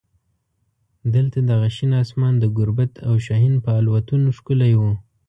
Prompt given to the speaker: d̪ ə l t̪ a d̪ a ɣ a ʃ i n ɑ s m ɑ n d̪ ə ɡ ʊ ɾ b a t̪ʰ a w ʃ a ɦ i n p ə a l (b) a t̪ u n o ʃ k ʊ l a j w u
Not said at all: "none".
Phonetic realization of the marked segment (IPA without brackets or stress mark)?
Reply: w